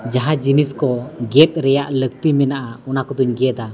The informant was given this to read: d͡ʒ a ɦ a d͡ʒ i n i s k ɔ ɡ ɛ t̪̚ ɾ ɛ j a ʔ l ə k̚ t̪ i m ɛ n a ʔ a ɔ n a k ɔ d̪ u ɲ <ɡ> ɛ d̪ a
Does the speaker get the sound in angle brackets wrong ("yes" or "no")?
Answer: no